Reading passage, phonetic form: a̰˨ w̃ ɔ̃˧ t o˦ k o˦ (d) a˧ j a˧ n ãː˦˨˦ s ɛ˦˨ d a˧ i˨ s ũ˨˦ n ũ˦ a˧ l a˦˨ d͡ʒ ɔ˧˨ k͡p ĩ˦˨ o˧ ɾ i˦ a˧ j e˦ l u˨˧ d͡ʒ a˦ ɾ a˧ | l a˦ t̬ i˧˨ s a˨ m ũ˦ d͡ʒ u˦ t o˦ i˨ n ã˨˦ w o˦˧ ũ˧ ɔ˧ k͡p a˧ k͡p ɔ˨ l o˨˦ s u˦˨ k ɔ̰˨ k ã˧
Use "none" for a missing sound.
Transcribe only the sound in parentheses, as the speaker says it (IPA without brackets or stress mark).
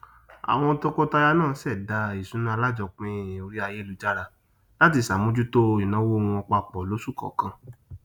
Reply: t